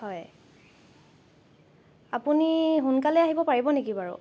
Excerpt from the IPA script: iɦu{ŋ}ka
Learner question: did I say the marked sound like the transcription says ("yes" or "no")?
no